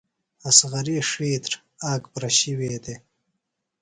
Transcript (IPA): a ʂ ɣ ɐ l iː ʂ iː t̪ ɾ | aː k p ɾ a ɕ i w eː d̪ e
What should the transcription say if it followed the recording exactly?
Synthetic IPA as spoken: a s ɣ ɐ ɾ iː ʂ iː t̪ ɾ | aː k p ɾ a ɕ i w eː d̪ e